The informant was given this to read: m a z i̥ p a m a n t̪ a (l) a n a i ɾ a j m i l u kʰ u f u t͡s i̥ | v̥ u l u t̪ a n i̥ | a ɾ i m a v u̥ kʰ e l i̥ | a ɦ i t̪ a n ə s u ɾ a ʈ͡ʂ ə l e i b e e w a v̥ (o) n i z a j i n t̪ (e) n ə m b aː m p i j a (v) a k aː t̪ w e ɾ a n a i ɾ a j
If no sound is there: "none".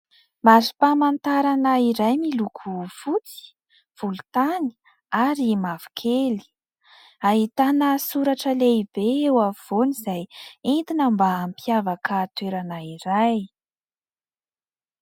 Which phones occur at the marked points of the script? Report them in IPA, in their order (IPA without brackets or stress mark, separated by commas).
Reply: ɾ, o, i, v